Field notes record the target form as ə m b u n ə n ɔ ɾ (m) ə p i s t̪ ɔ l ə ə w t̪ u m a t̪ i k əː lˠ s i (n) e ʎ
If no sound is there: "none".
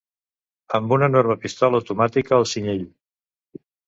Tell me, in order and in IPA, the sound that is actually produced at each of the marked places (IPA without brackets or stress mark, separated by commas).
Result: m, ɲ